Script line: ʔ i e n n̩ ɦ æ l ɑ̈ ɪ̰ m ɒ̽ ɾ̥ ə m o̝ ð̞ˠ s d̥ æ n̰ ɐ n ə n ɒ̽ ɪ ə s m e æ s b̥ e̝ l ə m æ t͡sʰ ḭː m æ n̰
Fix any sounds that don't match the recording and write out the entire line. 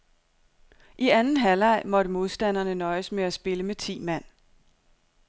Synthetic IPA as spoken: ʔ i æ n n̩ ɦ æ l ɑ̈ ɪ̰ m ɒ̽ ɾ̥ ə m o̝ ð̞ˠ s d̥ æ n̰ ɐ n ə n ɒ̽ ɪ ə s m e æ s b̥ e̝ l ə m e t͡sʰ ḭː m æ n̰